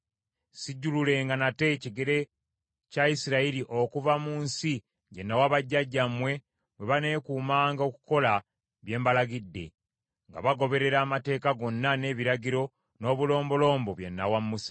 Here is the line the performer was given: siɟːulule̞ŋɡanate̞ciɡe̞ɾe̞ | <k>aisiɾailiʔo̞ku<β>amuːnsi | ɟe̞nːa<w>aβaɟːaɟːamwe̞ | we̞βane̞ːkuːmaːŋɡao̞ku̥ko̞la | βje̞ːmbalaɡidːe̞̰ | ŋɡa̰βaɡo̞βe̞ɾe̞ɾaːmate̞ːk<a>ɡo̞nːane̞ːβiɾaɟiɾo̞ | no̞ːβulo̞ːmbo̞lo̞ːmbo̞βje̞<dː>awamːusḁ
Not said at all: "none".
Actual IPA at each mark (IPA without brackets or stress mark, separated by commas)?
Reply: c, v, w, a, nː